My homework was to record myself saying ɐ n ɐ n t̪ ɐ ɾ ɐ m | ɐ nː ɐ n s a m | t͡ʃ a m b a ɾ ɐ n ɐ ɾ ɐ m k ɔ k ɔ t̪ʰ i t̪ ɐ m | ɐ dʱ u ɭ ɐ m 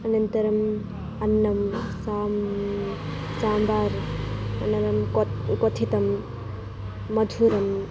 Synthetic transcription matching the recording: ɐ n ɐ n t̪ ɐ ɾ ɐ m | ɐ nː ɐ m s a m | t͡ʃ a m b a ɾ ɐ n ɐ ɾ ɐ m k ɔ k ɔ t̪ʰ i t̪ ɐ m | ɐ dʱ u ɾ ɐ m

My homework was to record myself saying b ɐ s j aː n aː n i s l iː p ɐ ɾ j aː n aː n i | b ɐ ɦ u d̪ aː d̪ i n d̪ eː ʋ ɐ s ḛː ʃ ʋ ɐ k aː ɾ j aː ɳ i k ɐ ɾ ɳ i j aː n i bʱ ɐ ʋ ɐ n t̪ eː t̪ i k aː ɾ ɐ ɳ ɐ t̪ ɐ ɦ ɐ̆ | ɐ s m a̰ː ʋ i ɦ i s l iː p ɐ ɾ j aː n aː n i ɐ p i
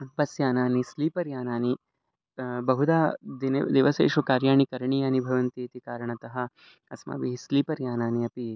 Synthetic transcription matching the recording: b ɐ s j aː n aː n i s l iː p ɐ ɾ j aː n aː n i | b ɐ ɦ u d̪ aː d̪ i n d̪ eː ʋ ɐ s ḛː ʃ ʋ ɐ k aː ɾ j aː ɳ i k ɐ ɾ ɳ i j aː n i bʱ ɐ ʋ ɐ n t̪ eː t̪ i k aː ɾ ɐ ɳ ɐ t̪ ɐ ɦ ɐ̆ | ɐ s m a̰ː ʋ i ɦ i s l iː p ɐ ɾ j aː n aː n i ɐ p i

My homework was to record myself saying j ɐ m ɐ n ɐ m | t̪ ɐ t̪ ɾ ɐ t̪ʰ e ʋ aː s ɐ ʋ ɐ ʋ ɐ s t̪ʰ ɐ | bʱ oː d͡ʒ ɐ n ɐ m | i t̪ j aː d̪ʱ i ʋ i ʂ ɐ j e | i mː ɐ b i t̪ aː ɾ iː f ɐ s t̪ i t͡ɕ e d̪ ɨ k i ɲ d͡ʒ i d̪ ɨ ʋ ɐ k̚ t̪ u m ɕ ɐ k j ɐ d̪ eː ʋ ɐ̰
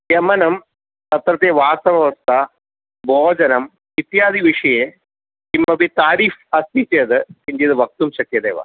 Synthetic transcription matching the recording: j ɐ m ɐ n ɐ m | t̪ ɐ t̪ ɾ ɐ t̪ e ʋ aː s ɐ ʋ ɐ ʋ ɐ s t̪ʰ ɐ | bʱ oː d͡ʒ ɐ n ɐ m | i t̪ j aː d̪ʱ i ʋ i ʂ ɐ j e | i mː ɐ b i t̪ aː ɾ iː f ɐ s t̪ i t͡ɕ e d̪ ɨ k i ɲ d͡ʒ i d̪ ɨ ʋ ɐ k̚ t̪ u m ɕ ɐ k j ɐ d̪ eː ʋ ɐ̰

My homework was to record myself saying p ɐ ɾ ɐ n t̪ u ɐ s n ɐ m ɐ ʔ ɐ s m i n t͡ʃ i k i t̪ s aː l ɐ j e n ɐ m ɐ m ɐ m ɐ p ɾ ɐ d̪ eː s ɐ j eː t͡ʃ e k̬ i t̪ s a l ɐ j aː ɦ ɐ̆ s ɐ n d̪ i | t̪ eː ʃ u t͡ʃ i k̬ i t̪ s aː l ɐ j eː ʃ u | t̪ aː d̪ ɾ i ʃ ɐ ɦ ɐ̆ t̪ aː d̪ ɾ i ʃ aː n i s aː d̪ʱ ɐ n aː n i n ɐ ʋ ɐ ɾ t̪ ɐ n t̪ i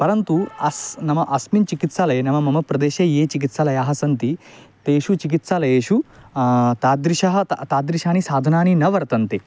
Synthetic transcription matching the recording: p ɐ ɾ ɐ n t̪ u ɐ s n ɐ m ɐ ʔ ɐ s m i n t͡ʃ i k i t̪ s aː l ɐ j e n ɐ m ɐ m ɐ m ɐ p ɾ ɐ d̪ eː ʃ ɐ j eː t͡ʃ i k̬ i t̪ s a l ɐ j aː ɦ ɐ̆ s ɐ n t̪ i | t̪ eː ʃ u t͡ʃ i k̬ i t̪ s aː l ɐ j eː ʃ u | t̪ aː d̪ ɾ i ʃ ɐ ɦ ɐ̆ t̪ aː d̪ ɾ i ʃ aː n i s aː d̪ʱ ɐ n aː n i n ɐ ʋ ɐ ɾ t̪ ɐ n t̪ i

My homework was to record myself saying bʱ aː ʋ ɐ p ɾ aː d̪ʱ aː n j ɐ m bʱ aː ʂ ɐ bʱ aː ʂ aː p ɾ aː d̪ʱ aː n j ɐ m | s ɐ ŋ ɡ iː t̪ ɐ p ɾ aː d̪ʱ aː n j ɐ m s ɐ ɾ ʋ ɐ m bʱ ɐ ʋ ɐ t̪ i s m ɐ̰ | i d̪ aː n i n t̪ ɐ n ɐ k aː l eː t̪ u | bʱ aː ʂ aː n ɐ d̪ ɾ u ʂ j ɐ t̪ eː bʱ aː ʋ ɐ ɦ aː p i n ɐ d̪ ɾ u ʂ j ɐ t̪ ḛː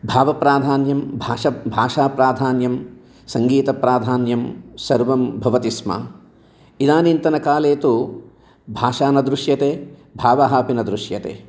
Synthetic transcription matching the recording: bʱ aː ʋ ɐ p ɾ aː d̪ʱ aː n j ɐ m bʱ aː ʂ ɐ bʱ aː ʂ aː p ɾ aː d̪ʱ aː n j ɐ m | s ɐ ŋ ɡ iː t̪ ɐ p ɾ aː d̪ʱ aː n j ɐ m s ɐ ɾ ʋ ɐ m bʱ ɐ ʋ ɐ t̪ i s m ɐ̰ | i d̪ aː n i n t̪ ɐ n ɐ k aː l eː t̪ u | bʱ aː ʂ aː n ɐ d̪ ɾ u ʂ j ɐ t̪ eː bʱ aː ʋ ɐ ɦ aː p i n ɐ d̪ ɾ u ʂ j ɐ t̪ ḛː

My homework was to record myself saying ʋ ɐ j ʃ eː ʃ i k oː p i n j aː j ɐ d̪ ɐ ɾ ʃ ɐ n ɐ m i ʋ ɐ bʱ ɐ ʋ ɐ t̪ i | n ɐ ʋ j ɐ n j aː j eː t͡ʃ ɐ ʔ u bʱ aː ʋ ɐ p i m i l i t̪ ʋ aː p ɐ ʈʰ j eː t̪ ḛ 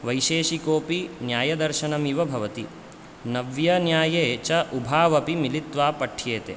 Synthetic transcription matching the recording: ʋ ɐ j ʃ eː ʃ i k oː p i n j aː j ɐ d̪ ɐ ɾ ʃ ɐ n ɐ m i ʋ ɐ bʱ ɐ ʋ ɐ t̪ i | n ɐ ʋ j ɐ n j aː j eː t͡ʃ ɐ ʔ u bʱ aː ʋ ɐ p i m i l i t̪ ʋ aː p ɐ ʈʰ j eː t̪ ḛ

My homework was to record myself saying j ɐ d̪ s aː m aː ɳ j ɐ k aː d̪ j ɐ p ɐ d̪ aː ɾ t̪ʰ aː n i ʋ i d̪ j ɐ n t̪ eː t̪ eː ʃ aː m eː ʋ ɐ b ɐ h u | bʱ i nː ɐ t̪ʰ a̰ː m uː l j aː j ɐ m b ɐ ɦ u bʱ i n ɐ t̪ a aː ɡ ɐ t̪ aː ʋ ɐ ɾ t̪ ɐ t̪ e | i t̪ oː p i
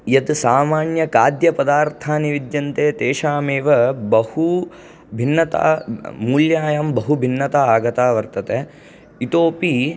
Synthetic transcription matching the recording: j ɐ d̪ s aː m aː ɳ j ɐ k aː d̪ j ɐ p ɐ d̪ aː ɾ t̪ʰ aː n i ʋ i d̪ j ɐ n t̪ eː t̪ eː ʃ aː m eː ʋ ɐ b ɐ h u | bʱ i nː ɐ t̪ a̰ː m uː l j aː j ɐ m b ɐ ɦ u bʱ i nː ɐ t̪ a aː ɡ ɐ t̪ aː ʋ ɐ ɾ t̪ ɐ t̪ e | i t̪ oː p i

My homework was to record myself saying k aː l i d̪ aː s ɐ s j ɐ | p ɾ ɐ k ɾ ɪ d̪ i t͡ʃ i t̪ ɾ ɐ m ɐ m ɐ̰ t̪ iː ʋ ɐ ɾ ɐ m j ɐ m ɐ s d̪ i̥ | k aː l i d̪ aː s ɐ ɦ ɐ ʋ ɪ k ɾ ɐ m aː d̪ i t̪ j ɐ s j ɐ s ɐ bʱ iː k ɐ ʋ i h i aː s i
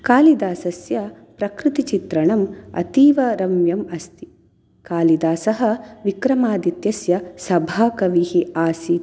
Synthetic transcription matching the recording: k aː l i d̪ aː s ɐ s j ɐ | p ɾ ɐ k ɾ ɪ t̪ i t͡ʃ i t̪ ɾ ɐ ɳ ɐ m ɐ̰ t̪ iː ʋ ɐ ɾ ɐ m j ɐ m ɐ s t̪ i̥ | k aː l i d̪ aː s ɐ ɦ ɐ ʋ i k ɾ ɐ m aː d̪ i t̪ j ɐ s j ɐ s ɐ bʱ aː k ɐ ʋ i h i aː s i

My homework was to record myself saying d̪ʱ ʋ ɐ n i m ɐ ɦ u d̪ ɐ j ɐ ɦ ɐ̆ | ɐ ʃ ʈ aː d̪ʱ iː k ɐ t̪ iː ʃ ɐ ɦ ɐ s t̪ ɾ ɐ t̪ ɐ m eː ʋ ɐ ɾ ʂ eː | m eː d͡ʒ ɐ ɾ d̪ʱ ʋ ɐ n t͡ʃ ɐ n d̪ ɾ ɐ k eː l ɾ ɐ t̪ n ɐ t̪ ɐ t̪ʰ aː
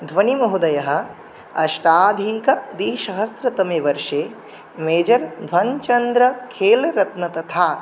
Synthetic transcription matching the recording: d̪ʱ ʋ ɐ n i m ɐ ɦ u d̪ ɐ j ɐ ɦ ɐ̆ | ɐ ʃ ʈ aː d̪ʱ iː k ɐ d̪ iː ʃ ɐ ɦ ɐ s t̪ ɾ ɐ t̪ ɐ m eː ʋ ɐ ɾ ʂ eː | m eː d͡ʒ ɐ ɾ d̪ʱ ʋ ɐ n t͡ʃ ɐ n d̪ ɾ ɐ kʰ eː l ɾ ɐ t̪ n ɐ t̪ ɐ t̪ʰ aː

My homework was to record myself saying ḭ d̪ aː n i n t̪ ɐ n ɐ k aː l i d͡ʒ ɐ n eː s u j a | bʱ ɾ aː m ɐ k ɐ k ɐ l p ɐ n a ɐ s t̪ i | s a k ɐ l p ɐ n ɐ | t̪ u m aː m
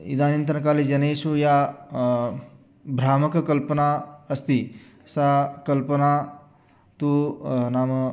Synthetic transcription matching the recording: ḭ d̪ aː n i n t̪ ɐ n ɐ k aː l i d͡ʒ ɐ n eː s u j a | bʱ ɾ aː m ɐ k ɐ k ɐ l p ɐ n a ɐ s t̪ i | s a k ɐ l p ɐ n a | t̪ u n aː m

